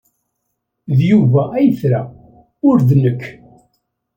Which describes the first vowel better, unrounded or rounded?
rounded